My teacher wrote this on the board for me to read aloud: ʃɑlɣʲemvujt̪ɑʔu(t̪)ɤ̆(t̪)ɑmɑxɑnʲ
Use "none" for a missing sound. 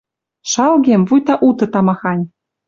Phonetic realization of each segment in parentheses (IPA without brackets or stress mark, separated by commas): t̪, t̪